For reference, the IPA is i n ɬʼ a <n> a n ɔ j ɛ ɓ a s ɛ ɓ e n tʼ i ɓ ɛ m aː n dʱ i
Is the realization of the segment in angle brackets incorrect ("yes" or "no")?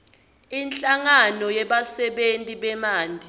yes